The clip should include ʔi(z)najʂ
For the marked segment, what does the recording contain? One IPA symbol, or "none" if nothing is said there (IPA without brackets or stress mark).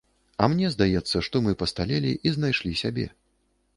z